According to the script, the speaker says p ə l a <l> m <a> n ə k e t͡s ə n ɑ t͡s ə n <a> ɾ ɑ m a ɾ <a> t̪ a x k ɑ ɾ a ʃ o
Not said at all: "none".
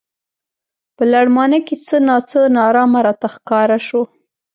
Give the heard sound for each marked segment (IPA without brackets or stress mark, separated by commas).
ɽ, ɑ, ɑ, ɑ